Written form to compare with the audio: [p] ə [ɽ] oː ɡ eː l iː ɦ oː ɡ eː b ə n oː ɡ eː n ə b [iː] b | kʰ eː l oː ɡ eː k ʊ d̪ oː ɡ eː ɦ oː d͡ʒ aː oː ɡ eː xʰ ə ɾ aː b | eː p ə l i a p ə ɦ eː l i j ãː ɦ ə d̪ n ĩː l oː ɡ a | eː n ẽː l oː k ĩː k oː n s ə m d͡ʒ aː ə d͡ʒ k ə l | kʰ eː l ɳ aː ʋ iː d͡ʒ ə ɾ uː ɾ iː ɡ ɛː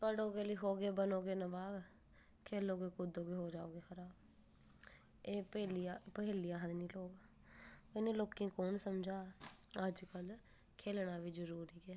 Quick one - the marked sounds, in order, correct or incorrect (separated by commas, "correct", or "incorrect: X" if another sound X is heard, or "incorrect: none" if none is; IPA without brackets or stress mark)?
correct, correct, incorrect: aː